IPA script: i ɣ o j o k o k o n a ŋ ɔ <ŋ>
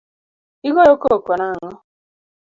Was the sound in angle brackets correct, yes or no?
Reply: no